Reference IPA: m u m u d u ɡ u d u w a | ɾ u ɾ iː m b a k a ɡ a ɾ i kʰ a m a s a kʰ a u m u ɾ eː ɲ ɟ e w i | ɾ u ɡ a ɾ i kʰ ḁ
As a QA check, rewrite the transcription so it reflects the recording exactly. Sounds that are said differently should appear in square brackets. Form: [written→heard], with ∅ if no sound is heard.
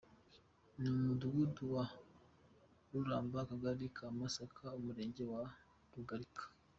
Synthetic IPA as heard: [m→n] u m u d u ɡ u d u w a | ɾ u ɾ [iː→aː] m b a k a ɡ a ɾ i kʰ a m a s a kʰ a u m u ɾ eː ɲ ɟ e w [i→a] | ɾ u ɡ a ɾ i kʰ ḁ

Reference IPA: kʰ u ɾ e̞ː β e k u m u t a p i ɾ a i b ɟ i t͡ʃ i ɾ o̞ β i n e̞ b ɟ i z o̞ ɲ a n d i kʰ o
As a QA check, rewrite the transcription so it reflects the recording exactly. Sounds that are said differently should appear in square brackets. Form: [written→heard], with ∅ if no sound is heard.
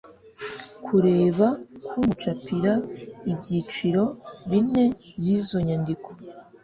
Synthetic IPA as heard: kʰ u ɾ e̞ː β [e→a] k u m u [t→t͡ʃ] a p i ɾ a i b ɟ i t͡ʃ i ɾ o̞ β i n e̞ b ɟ i z o̞ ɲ a n d i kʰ o

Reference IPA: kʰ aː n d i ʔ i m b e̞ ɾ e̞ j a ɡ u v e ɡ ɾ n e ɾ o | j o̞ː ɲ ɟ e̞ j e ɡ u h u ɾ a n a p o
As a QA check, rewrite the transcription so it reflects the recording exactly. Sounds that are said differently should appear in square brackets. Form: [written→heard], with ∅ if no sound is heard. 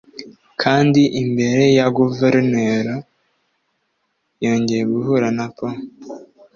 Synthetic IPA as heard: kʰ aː n d i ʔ i m b e̞ ɾ e̞ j a ɡ u v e [ɡ→∅] ɾ n e ɾ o | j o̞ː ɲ ɟ e̞ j e ɡ u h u ɾ a n a p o

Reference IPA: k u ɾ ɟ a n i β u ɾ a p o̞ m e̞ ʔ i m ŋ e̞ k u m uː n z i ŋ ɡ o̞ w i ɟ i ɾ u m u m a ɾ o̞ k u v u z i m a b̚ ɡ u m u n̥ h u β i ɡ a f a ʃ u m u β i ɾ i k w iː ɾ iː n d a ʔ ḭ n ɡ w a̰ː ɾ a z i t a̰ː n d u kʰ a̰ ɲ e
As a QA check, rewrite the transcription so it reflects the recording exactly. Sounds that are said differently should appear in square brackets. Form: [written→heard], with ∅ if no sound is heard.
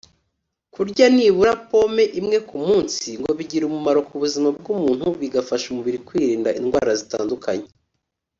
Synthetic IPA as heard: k u ɾ ɟ a n i β u ɾ a p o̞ m e̞ ʔ i m ŋ e̞ k u m uː n [z→s] i ŋ ɡ o̞ [w→β] i ɟ i ɾ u m u m a ɾ o̞ k u [v→β] u z i m a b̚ ɡ u m [u→uː] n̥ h u β i ɡ a f a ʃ u m u β i ɾ i k w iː ɾ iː n d a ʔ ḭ n ɡ w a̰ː ɾ a z i t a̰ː n d u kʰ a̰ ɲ e

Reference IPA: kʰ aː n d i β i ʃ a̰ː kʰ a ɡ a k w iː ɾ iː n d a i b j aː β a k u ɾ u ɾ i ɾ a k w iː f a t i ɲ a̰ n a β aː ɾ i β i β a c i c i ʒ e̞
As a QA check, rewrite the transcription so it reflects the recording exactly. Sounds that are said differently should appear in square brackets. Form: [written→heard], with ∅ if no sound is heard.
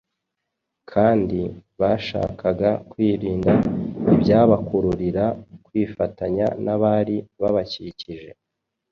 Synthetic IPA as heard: kʰ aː n d i β [i→a] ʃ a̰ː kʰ a ɡ a k w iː ɾ iː n d a i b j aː β a k u ɾ u ɾ i ɾ a k w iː f a t [i→a] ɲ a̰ n a β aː ɾ i β [i→a] β a c i c i ʒ e̞

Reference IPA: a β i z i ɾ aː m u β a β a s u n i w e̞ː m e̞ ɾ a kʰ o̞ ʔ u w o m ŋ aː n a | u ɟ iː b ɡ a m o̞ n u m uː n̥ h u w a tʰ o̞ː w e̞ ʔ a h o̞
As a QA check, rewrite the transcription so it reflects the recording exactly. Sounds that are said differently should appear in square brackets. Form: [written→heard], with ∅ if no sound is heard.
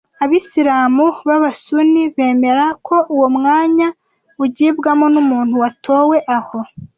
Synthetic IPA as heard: a β i [z→s] i ɾ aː m u β a β a s u n i [w→β] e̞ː m e̞ ɾ a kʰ o̞ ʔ u w o m ŋ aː [n→ɲ] a | u ɟ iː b ɡ a m o̞ n u m uː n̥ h u w a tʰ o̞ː w e̞ ʔ a h o̞

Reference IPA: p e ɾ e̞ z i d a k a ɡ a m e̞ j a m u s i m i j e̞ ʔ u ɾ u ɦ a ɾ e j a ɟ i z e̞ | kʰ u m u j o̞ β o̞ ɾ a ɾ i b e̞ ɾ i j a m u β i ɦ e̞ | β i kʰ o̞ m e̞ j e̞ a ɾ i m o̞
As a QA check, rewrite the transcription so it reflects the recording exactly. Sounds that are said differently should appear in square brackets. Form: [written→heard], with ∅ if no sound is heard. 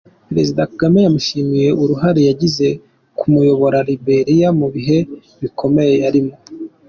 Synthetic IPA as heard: p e ɾ e̞ z i d a k a ɡ a m e̞ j a m u [s→ʃ] i m i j e̞ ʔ u ɾ u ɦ a ɾ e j a ɟ i z e̞ | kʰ u m u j o̞ β o̞ ɾ a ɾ i b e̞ ɾ i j a m u β i ɦ e̞ | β i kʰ o̞ m e̞ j e̞ a ɾ i m o̞

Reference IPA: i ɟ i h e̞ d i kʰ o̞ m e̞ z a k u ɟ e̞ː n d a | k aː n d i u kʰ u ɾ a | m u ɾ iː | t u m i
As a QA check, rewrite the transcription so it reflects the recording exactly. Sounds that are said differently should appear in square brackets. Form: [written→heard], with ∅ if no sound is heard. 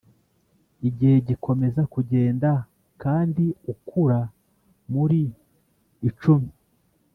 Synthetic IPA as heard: i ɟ i h e̞ [d→ɟ] i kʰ o̞ m e̞ z a k u ɟ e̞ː n d a | k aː n d i u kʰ u ɾ a | m u ɾ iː | [t→t͡ʃ] u m i

